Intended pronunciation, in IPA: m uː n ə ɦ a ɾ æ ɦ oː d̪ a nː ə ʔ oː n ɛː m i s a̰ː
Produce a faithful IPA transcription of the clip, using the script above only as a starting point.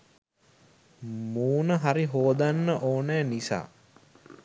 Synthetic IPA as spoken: m uː n ə ɦ a ɾ i ɦ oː d̪ a nː ə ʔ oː n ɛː n i s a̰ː